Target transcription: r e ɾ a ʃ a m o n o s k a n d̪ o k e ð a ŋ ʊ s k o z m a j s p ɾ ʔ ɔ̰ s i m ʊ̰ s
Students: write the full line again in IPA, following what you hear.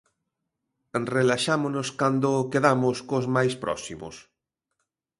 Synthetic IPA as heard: r e l a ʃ a m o n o s k a n d̪ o k e ð a m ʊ s k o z m a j s p ɾ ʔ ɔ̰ s i m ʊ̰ s

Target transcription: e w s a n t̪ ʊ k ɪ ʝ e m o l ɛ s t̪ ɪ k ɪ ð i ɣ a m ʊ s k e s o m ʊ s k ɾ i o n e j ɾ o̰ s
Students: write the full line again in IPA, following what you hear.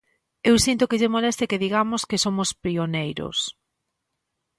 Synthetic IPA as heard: e w s i n t̪ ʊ k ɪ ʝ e m o l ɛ s t̪ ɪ k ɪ ð i ɣ a m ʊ s k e s o m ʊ s p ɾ i o n e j ɾ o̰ s

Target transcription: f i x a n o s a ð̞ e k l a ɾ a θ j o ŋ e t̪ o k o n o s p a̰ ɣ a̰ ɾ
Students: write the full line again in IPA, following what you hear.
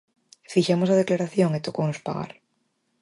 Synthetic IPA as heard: f i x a m o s a ð̞ e k l a ɾ a θ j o ŋ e t̪ o k o n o s p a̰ ɣ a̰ ɾ

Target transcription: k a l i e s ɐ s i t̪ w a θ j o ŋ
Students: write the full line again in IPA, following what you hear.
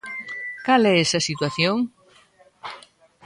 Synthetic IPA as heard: k a l ɛ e s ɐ s i t̪ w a θ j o ŋ

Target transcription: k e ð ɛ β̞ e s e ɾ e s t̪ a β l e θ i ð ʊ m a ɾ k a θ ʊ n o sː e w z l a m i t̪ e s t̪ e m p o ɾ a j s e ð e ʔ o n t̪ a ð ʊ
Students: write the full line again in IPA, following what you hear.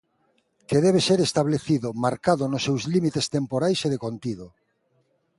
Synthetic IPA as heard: k e ð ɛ β̞ e s e ɾ e s t̪ a β l e θ i ð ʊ m a ɾ k a ð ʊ n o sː e w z l i m i t̪ e s t̪ e m p o ɾ a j s e ð e k o n t̪ i ð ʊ

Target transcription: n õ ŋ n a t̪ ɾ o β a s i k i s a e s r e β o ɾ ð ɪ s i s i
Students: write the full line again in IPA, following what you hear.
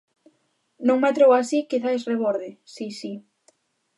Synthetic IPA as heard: n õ ŋ m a t̪ ɾ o w a s i k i θ a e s r e β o ɾ ð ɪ s i s i

